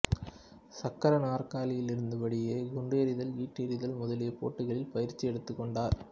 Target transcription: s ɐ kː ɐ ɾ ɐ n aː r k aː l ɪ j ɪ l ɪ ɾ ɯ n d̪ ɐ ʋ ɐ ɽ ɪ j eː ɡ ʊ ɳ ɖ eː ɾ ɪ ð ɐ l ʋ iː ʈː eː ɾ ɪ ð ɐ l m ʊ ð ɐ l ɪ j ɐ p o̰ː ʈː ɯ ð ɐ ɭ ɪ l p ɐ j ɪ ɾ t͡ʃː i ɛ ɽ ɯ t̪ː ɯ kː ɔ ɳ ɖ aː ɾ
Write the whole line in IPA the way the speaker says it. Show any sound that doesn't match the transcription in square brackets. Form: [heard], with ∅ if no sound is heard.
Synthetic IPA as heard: s ɐ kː ɐ ɾ ɐ n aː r k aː l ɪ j ɪ l ɪ ɾ ɯ n d̪ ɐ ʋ ɐ ɽ ɪ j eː ɡ ʊ ɳ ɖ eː ɾ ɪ ð ɐ l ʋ iː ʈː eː ɾ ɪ ð ɐ l m ʊ ð ɐ l ɪ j ɐ p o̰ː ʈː ɯ [ɣ] ɐ ɭ ɪ l p ɐ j ɪ ɾ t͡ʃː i ɛ ɽ ɯ t̪ː ɯ kː ɔ ɳ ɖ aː ɾ